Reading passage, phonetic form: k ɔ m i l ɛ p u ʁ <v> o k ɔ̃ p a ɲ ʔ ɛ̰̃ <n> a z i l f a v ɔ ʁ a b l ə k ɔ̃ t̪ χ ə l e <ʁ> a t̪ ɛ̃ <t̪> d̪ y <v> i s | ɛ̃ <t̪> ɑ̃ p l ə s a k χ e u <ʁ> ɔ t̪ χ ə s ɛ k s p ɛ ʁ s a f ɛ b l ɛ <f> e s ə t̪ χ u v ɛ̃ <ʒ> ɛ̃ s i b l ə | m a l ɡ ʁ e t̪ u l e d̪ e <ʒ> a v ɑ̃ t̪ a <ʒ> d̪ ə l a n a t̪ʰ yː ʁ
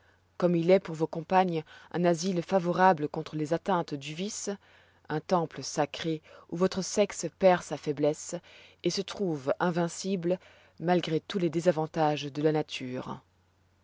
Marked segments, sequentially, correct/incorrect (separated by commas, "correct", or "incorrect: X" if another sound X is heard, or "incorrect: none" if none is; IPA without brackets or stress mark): correct, correct, incorrect: z, correct, correct, correct, incorrect: v, incorrect: s, incorrect: v, incorrect: z, correct